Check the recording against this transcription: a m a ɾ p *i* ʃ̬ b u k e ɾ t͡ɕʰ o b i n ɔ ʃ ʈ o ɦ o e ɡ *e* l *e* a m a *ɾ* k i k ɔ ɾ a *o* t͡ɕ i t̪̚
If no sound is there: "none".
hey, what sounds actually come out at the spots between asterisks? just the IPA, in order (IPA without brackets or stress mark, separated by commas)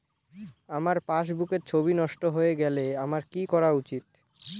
a, ɛ, e, ɾ, u